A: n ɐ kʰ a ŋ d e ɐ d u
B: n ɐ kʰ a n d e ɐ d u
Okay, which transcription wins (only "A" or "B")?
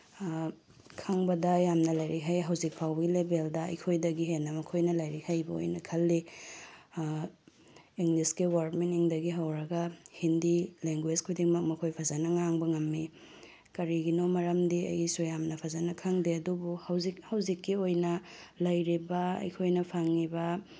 A